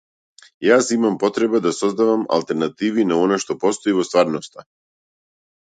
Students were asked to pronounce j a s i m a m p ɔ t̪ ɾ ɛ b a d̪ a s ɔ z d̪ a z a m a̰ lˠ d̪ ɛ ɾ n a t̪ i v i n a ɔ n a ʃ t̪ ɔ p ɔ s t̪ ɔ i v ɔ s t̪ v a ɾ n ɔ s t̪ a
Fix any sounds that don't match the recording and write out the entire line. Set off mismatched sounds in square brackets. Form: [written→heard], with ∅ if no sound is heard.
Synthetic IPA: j a s i m a m p ɔ t̪ ɾ ɛ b a d̪ a s ɔ z d̪ a [z→v] a m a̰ lˠ [d̪→t̪] ɛ ɾ n a t̪ i v i n a ɔ n a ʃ t̪ ɔ p ɔ s t̪ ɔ i v ɔ s t̪ v a ɾ n ɔ s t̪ a